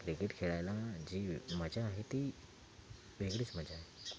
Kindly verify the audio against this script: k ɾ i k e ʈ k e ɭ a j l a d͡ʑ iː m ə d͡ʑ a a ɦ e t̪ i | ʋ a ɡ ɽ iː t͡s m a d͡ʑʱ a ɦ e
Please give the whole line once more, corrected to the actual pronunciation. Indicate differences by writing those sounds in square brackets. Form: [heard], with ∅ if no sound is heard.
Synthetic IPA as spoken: k ɾ i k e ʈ [kʰ] e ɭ a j l a d͡ʑ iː m ə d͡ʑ a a ɦ e t̪ i | ʋ [e] ɡ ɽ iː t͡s m [ə] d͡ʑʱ a ɦ e